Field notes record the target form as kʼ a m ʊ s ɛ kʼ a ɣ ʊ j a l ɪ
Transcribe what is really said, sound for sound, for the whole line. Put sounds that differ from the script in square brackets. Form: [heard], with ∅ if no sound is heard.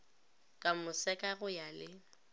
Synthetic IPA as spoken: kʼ a m ʊ s ɛ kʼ a ɣ ʊ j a l ɪ